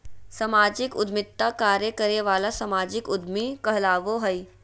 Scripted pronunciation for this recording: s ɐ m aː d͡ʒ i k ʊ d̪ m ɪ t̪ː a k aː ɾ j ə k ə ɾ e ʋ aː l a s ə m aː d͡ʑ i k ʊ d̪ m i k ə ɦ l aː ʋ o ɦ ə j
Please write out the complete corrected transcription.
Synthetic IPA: s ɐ m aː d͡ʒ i k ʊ d̪ m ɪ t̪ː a k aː ɾ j ə k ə ɾ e ʋ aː l a s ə m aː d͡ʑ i k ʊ d̪ m i k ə ɦ l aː ʋ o ɦ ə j